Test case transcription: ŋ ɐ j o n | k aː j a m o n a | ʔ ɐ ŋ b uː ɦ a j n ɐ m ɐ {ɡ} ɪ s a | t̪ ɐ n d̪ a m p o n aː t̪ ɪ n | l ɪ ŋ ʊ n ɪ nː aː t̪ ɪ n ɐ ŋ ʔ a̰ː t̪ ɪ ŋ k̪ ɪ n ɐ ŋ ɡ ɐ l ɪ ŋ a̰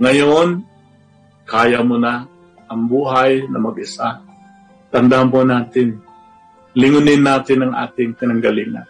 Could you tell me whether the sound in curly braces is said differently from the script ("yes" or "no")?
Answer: no